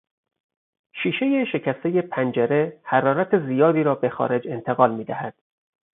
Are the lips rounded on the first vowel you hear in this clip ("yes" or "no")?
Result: no